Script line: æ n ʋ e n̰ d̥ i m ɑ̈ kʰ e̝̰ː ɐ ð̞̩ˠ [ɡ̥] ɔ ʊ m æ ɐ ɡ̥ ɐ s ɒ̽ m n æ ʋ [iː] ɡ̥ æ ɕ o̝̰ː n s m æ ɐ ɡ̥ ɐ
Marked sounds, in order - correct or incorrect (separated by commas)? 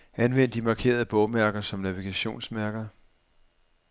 incorrect, incorrect